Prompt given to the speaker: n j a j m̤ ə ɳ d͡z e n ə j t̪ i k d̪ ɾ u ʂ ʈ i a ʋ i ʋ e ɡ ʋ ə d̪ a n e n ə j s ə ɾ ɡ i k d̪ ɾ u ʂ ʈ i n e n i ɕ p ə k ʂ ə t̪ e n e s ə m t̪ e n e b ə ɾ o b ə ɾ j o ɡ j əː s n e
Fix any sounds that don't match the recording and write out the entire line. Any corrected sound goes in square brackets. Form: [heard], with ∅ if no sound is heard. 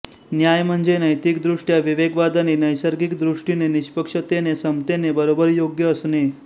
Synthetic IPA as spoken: n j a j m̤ ə ɳ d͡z e n ə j t̪ i k d̪ ɾ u ʂ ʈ [j] a ʋ i ʋ e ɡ ʋ [a] d̪ a n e n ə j s ə ɾ ɡ i k d̪ ɾ u ʂ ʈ i n e n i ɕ p ə k ʂ ə t̪ e n e s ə m t̪ e n e b ə ɾ o b ə ɾ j o ɡ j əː s n e